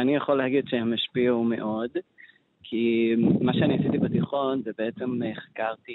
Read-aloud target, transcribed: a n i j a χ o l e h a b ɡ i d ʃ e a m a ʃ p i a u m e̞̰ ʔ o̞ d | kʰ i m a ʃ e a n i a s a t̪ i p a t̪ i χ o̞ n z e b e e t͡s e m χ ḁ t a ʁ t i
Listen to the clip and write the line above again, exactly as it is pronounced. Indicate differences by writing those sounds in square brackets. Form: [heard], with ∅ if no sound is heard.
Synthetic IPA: a n i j a χ o l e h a [∅] ɡ i d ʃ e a m a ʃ p i a u m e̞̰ ʔ o̞ d | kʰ i m a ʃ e a n i a s [i] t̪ i [b] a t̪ i χ o̞ n z e b e e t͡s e m χ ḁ [k] a ʁ t i